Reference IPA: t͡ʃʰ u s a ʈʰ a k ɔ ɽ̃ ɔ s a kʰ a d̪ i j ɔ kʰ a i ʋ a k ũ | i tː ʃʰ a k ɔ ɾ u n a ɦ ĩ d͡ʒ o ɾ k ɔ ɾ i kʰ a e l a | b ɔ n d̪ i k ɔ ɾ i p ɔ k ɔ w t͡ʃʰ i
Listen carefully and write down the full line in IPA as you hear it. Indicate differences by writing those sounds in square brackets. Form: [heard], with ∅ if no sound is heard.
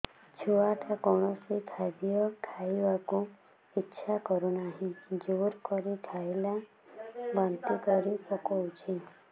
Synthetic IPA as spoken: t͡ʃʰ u [∅] a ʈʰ a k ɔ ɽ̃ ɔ s [i] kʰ a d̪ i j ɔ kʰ a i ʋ a k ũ | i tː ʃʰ a k ɔ ɾ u n a ɦ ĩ d͡ʒ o ɾ k ɔ ɾ i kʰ a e l a | b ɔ n [t̪] i k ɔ ɾ i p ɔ k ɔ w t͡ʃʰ i